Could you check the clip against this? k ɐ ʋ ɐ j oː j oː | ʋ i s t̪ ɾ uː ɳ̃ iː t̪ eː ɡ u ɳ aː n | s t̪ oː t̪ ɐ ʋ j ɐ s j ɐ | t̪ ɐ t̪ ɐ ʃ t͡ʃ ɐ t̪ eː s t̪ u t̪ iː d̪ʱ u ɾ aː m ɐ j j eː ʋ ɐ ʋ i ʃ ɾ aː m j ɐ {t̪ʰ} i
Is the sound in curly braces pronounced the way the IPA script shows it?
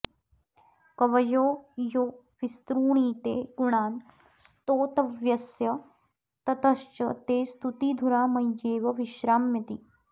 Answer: no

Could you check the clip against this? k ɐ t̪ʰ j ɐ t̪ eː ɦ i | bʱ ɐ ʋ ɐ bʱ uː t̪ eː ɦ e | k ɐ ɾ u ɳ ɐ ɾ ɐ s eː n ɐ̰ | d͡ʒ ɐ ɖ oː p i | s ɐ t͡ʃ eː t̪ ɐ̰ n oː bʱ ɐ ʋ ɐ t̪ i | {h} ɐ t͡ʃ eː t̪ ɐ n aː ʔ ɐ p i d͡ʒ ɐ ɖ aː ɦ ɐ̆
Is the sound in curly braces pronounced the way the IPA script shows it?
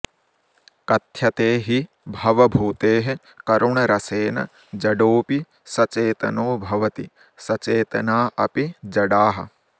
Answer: no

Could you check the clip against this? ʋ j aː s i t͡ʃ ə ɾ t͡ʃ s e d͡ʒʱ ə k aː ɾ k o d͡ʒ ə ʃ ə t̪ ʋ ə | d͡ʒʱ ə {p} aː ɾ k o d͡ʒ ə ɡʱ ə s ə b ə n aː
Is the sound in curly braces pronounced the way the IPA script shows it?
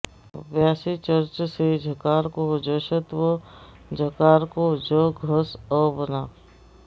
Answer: no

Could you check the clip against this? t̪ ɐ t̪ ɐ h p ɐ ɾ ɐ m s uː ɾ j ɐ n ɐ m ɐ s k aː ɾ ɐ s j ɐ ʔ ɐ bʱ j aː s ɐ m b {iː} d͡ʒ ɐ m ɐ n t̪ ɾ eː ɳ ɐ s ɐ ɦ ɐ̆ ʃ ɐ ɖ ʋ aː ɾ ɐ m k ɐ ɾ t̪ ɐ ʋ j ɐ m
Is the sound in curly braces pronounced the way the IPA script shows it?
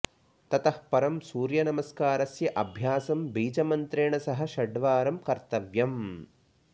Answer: yes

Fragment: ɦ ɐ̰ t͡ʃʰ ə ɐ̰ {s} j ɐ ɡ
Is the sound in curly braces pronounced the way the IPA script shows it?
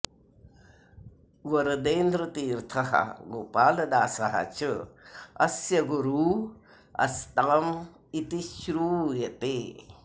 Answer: yes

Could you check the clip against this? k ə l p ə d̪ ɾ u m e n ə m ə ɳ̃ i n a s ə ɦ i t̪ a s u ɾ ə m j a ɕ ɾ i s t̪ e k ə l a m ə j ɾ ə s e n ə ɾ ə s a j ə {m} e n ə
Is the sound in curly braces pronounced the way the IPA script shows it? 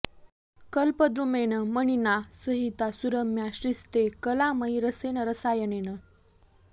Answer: no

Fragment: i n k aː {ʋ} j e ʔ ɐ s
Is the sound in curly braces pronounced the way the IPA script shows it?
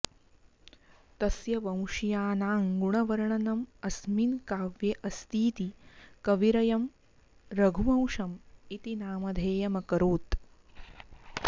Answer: yes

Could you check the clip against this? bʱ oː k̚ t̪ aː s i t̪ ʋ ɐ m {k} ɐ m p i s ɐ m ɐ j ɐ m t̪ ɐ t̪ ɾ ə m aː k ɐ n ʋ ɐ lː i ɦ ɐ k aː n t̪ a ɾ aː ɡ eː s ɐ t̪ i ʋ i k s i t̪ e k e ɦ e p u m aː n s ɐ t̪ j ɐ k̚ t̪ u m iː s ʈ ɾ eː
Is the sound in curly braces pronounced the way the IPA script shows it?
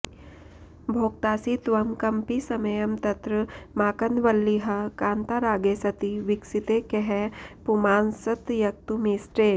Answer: yes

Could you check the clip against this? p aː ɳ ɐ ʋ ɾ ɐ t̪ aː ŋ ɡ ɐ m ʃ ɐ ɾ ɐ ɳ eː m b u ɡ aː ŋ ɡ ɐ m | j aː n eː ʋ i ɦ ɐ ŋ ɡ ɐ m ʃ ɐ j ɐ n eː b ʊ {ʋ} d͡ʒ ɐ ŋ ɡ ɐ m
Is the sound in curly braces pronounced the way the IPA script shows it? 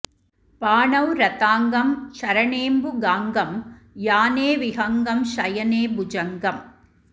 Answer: no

